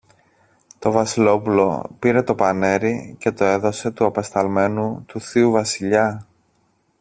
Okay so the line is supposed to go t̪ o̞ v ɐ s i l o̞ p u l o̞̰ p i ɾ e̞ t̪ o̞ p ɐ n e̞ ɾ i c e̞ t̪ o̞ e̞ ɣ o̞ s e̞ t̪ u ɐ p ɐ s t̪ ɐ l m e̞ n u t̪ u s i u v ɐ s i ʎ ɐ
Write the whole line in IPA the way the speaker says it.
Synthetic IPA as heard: t̪ o̞ v ɐ s i l o̞ p u l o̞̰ p i ɾ e̞ t̪ o̞ p ɐ n e̞ ɾ i c e̞ t̪ o̞ e̞ ð o̞ s e̞ t̪ u ɐ p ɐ s t̪ ɐ l m e̞ n u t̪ u θ i u v ɐ s i ʎ ɐ